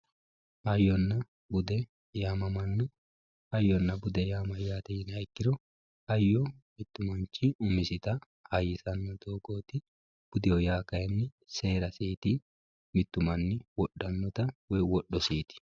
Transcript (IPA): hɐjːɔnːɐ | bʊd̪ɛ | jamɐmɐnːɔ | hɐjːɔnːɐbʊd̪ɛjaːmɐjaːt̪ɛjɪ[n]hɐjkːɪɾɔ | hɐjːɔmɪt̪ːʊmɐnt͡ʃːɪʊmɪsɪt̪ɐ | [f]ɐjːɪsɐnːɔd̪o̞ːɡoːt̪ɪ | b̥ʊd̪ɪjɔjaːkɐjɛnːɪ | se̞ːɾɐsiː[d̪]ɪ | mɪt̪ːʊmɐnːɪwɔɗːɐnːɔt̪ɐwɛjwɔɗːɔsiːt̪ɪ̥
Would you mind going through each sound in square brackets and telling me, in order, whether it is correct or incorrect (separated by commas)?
correct, incorrect, incorrect